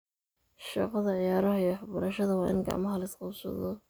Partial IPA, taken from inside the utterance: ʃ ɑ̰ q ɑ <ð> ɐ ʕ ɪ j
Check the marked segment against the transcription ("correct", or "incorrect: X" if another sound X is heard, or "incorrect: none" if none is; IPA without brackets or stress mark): correct